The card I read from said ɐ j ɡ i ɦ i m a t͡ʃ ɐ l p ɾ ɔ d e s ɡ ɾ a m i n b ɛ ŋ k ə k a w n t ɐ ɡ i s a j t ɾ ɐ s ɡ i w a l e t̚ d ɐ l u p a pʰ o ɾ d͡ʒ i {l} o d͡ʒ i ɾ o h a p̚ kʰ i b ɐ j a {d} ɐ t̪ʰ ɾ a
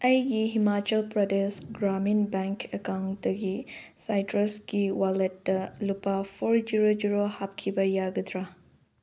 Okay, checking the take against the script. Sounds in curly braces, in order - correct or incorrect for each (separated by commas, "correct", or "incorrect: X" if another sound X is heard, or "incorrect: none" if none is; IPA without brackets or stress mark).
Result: incorrect: ɾ, incorrect: ɡ